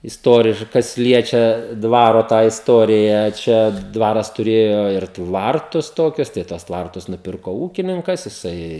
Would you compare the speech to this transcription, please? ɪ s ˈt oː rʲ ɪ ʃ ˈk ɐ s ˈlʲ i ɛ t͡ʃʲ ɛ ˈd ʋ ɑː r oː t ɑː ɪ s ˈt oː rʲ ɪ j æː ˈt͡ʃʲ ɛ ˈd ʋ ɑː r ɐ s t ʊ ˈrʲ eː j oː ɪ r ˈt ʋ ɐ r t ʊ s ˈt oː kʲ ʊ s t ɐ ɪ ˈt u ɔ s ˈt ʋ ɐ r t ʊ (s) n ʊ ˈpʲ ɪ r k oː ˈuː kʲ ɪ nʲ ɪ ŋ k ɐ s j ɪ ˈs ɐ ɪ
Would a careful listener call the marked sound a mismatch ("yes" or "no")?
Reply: no